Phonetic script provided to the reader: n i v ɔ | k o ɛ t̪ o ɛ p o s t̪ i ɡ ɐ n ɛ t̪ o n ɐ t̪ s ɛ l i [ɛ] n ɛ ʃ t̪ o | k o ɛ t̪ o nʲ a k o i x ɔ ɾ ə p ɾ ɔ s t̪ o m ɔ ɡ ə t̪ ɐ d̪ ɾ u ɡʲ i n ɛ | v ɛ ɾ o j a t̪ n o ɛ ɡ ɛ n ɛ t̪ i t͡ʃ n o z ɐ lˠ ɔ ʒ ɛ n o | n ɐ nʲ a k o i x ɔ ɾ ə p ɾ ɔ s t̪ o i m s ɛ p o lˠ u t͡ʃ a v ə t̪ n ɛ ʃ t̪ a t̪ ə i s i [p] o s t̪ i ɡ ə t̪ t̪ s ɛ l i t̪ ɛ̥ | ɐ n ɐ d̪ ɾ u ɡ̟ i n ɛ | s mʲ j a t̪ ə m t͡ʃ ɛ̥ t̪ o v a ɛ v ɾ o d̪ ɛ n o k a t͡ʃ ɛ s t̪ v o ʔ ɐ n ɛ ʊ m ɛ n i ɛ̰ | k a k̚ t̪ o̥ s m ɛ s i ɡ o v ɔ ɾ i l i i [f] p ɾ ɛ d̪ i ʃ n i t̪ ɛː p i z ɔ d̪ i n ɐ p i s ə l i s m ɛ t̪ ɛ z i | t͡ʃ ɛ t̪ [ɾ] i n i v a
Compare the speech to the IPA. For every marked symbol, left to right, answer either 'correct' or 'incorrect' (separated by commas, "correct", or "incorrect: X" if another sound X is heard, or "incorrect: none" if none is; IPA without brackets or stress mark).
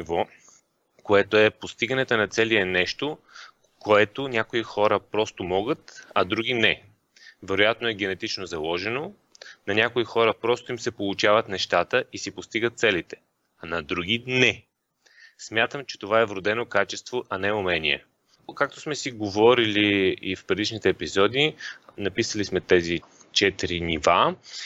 correct, correct, correct, correct